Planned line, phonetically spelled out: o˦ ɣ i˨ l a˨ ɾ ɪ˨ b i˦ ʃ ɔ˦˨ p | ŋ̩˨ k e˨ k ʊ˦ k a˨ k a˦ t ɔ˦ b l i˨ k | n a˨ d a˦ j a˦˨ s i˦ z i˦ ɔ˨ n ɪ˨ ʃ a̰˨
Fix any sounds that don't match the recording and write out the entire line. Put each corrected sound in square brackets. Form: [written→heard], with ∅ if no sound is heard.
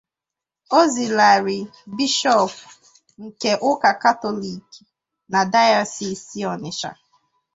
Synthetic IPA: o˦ [ɣ→z] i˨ l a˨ ɾ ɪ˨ b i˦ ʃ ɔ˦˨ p | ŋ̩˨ k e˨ [k→ʔ] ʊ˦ k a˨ k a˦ t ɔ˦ [b→∅] l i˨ k | n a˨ d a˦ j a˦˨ s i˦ [z→s] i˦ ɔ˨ n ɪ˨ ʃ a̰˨